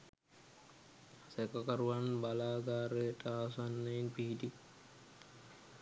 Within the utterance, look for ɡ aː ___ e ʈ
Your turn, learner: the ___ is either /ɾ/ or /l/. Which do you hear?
ɾ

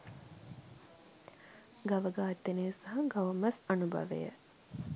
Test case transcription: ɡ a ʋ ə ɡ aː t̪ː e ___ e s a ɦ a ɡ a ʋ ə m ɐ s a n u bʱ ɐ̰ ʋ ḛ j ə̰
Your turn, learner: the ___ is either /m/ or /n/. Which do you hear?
n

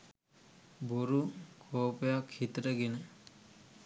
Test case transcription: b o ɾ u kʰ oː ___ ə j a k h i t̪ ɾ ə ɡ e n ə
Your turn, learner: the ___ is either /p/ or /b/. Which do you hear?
p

